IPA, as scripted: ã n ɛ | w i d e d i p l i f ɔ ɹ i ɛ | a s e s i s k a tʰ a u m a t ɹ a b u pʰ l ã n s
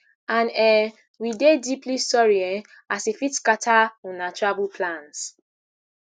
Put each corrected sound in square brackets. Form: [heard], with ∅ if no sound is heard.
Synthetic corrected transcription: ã n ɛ | w i d e d i p l i [s] ɔ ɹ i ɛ | a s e [f] i [t] k a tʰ a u [n] a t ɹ a b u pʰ l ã n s